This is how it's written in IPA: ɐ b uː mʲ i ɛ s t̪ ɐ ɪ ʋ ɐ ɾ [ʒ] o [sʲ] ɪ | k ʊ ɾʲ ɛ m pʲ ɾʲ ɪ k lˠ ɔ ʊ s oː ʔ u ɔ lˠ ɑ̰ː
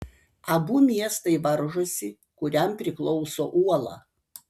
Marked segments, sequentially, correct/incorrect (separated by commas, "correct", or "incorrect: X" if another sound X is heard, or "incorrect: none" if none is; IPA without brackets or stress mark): correct, correct